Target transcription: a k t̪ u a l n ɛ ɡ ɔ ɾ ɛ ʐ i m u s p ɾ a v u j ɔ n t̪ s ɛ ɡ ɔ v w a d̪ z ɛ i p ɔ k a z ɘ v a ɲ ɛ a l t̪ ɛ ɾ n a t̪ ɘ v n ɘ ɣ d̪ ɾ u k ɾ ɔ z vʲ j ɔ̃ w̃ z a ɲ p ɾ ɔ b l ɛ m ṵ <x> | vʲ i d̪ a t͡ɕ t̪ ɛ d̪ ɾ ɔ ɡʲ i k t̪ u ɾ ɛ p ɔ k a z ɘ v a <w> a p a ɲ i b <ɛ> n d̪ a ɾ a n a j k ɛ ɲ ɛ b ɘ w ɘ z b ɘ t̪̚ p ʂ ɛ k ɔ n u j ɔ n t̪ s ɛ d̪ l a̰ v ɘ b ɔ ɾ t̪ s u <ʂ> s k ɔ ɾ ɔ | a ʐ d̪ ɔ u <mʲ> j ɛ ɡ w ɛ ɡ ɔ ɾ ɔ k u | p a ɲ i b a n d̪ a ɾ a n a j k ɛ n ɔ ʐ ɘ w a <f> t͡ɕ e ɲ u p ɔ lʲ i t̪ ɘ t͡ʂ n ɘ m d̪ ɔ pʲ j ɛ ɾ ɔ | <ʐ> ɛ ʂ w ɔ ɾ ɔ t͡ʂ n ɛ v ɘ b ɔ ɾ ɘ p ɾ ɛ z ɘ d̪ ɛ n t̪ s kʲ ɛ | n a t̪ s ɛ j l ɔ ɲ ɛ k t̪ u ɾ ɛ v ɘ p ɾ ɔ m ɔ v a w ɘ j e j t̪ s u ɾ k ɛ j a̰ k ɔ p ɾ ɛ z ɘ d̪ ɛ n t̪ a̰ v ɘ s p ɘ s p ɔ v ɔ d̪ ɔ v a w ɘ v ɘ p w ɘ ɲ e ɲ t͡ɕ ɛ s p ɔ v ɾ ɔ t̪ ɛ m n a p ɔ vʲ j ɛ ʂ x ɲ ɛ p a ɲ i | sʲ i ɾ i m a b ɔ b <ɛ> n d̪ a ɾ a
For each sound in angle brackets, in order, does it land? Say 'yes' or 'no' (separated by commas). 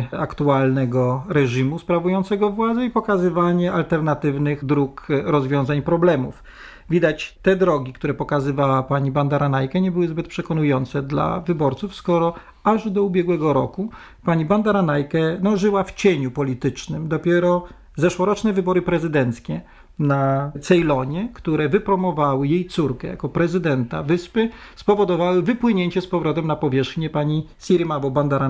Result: no, yes, no, no, no, yes, no, no